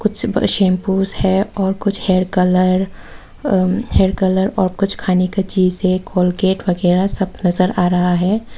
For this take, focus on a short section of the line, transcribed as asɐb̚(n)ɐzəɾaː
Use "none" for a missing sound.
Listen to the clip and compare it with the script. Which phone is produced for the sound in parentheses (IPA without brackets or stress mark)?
n